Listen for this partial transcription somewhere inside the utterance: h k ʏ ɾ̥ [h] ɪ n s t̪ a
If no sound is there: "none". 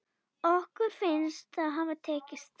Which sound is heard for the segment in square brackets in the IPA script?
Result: f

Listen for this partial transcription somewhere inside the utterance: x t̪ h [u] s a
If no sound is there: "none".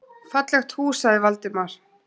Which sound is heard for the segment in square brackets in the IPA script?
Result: uː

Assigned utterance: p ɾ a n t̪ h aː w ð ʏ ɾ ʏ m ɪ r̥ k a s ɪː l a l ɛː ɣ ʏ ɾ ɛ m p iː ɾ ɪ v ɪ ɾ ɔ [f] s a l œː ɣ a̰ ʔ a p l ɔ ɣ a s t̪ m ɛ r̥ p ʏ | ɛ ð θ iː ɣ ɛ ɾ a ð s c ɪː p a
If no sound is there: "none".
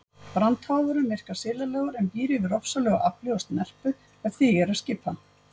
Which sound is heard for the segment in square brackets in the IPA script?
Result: f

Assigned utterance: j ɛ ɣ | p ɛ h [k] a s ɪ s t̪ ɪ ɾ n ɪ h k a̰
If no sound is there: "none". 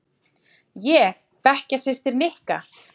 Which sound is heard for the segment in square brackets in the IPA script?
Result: c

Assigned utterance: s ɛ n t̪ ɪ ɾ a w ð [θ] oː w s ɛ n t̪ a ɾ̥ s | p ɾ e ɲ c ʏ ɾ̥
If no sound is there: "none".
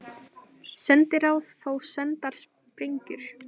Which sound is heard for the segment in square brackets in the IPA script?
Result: θ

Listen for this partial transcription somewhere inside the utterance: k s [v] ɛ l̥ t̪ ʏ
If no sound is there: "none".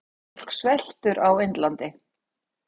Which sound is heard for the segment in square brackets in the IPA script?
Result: v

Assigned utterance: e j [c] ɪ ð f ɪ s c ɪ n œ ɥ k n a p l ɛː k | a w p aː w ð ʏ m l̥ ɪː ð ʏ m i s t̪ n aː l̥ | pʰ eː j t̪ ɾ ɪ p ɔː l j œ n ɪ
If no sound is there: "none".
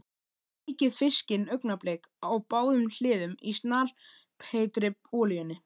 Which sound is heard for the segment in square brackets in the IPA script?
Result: c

